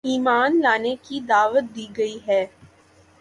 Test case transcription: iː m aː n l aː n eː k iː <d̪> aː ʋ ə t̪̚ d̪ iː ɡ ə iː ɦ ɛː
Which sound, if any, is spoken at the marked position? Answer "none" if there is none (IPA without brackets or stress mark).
d̪